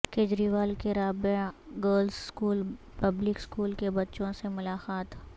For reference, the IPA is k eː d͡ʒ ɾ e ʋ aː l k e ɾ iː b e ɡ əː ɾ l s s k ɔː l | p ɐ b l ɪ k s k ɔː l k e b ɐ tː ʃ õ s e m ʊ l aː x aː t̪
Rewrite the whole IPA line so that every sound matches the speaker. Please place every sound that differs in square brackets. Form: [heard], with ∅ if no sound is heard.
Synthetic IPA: k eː d͡ʒ ɾ [i] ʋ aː l k e ɾ [aː] b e ɡ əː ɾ l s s k [uː] l | p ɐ b l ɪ k s k [uː] l k e b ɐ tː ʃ õ s e m ʊ l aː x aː t̪